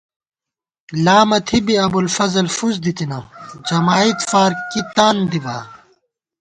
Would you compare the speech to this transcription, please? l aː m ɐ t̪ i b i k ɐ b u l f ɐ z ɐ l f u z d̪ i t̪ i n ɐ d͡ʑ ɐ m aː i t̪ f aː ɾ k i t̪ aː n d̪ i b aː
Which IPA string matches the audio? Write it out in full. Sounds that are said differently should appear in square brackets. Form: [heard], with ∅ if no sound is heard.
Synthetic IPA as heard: l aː m ɐ [t̪ʰ] i b i [∅] ɐ b u l f ɐ z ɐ l f u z d̪ i t̪ i n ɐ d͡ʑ ɐ m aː i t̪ f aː ɾ k i t̪ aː n d̪ i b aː